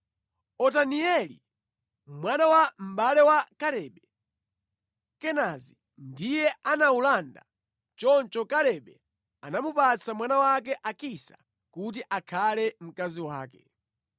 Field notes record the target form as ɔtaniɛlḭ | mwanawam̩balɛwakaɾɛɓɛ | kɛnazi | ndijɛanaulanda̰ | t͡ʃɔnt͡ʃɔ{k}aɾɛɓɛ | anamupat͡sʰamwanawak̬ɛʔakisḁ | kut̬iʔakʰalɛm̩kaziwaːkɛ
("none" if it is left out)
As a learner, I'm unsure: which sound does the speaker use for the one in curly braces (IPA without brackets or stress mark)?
k